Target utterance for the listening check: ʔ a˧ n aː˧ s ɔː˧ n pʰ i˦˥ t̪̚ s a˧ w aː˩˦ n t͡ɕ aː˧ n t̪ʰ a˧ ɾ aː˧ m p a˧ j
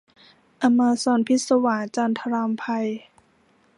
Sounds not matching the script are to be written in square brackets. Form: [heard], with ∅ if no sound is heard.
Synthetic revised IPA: ʔ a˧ [m] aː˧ s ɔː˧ n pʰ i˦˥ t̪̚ s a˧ w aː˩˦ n t͡ɕ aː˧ n t̪ʰ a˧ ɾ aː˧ m [pʰ] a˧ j